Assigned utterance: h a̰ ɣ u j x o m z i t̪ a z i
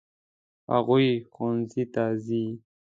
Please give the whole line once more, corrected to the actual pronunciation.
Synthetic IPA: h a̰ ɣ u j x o n z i t̪ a z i